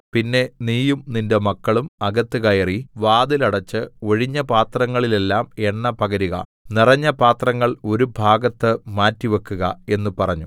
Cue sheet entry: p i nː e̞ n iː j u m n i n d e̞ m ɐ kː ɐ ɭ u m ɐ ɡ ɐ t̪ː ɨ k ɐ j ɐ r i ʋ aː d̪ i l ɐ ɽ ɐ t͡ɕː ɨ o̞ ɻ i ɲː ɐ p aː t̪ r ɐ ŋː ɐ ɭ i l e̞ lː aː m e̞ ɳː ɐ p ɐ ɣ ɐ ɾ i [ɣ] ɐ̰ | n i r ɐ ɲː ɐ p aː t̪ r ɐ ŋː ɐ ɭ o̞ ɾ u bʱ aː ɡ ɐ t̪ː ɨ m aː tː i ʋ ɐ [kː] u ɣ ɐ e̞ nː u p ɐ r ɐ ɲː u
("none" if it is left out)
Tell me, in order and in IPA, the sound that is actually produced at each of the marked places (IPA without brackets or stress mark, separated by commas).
ɣ, kː